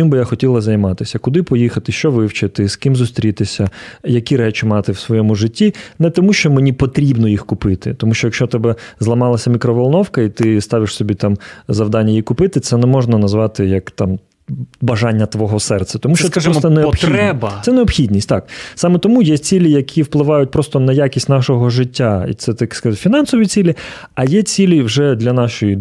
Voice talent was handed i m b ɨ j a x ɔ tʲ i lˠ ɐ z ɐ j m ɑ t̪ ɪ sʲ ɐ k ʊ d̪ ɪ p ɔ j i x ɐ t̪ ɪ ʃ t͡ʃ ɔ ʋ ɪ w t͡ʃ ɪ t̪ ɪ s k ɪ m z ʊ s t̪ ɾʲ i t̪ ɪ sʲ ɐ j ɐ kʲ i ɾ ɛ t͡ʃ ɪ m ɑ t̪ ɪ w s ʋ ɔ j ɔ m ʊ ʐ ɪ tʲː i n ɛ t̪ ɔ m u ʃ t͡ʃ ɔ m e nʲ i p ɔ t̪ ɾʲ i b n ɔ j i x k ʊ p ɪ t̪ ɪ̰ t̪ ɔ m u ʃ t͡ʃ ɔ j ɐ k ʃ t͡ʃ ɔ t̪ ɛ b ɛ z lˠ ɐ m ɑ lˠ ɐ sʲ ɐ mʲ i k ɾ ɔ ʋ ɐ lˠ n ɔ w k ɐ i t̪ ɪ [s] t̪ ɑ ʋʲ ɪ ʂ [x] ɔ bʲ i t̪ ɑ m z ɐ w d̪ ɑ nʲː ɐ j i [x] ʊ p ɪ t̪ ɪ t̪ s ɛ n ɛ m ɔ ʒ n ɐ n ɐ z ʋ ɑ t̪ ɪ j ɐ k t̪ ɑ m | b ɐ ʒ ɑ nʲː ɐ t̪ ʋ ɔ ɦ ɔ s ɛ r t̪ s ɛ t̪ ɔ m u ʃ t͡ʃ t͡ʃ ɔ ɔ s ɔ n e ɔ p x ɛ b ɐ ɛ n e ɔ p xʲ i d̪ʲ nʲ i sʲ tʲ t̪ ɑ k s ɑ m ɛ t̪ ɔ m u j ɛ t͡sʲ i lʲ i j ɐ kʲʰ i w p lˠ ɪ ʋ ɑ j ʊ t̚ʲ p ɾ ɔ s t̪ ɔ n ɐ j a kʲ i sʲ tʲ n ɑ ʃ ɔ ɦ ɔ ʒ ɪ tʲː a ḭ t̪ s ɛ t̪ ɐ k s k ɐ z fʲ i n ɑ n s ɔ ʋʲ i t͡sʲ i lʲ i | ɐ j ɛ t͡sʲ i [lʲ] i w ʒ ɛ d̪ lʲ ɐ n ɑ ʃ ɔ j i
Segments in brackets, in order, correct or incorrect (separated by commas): correct, incorrect, incorrect, correct